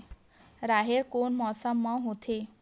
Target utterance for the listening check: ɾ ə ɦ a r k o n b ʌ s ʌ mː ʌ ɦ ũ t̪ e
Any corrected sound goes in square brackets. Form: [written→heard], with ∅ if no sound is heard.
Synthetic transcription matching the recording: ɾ [ə→a] ɦ [a→e] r k o n [b→m] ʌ s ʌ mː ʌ ɦ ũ [t̪→t̪ʰ] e